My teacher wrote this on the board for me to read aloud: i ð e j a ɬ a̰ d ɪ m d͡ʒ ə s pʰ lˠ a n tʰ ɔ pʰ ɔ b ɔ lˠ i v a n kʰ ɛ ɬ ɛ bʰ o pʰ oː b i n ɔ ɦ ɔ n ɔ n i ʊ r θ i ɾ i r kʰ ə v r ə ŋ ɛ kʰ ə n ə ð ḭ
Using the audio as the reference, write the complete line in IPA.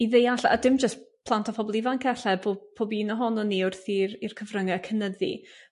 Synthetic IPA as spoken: i ð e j a ɬ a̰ d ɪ m d͡ʒ ə s pʰ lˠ a n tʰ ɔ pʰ ɔ b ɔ lˠ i v a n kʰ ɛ ɬ ɛ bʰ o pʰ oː b i n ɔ ɦ ɔ n ɔ n i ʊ r θ i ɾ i r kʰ ə v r ə ŋ ɛ kʰ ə n ə ð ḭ